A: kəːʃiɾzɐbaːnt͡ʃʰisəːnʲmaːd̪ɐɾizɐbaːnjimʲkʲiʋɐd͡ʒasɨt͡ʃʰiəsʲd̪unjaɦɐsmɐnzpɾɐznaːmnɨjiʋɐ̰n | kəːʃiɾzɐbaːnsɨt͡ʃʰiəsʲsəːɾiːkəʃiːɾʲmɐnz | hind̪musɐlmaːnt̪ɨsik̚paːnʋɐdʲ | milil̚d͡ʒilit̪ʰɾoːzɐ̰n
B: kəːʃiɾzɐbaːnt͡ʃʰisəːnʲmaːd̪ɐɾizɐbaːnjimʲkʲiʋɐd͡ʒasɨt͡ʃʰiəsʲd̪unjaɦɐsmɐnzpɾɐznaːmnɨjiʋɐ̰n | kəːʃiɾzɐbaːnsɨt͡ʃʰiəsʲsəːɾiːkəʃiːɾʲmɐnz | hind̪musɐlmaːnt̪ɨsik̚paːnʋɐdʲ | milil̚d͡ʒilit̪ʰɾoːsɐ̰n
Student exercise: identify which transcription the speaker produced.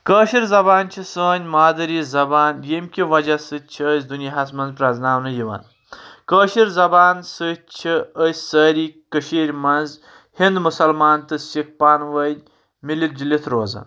A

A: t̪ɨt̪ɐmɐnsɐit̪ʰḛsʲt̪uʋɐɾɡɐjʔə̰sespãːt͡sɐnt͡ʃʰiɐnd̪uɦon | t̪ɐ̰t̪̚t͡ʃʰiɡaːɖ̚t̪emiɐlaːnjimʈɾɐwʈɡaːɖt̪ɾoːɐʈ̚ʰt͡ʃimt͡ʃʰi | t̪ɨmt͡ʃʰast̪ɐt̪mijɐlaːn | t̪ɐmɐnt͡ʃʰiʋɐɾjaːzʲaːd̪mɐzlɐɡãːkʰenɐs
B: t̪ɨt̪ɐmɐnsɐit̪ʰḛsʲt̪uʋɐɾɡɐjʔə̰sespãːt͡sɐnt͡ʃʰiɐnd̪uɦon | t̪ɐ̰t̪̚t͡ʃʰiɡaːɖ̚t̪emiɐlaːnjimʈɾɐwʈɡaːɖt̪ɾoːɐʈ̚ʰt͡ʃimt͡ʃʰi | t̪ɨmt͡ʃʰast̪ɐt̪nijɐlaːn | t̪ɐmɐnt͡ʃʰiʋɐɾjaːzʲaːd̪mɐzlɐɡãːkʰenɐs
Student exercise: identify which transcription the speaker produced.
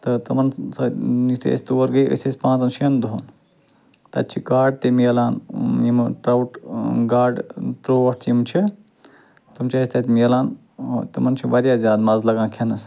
A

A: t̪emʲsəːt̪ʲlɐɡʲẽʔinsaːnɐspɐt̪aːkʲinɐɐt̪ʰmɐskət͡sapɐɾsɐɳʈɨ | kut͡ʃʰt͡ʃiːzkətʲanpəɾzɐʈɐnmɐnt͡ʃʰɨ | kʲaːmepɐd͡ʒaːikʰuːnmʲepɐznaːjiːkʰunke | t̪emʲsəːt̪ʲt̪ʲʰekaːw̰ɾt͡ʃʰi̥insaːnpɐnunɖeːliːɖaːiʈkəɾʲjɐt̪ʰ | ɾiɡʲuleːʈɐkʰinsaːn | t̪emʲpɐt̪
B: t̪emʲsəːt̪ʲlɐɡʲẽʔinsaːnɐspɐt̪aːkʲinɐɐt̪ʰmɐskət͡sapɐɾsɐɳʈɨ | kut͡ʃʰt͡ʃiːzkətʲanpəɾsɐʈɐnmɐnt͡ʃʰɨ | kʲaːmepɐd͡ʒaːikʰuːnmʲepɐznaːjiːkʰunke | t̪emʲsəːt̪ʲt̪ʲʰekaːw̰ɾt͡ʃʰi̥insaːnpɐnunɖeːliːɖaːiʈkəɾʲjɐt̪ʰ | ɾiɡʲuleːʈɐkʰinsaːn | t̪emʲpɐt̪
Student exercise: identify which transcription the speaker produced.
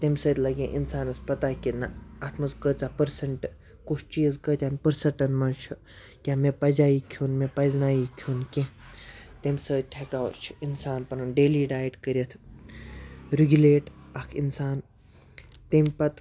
B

